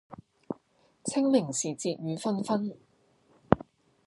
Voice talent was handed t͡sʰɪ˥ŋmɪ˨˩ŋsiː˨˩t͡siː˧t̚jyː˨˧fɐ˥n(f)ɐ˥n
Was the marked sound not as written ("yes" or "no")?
no